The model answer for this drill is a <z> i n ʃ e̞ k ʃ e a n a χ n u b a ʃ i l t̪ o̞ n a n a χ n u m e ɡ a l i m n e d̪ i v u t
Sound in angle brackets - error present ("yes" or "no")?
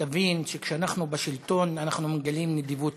yes